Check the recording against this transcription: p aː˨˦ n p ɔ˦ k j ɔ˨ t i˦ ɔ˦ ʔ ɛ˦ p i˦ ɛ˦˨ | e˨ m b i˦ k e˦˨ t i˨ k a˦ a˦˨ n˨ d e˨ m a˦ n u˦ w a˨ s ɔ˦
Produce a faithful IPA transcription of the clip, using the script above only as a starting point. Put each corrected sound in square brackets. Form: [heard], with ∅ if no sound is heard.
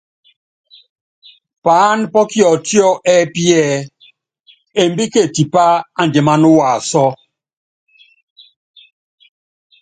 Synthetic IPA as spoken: p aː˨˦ n p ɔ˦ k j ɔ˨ t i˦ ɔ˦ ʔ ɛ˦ p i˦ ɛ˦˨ | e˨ m b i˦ k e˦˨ t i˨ [p] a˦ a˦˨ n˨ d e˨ m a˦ n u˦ w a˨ s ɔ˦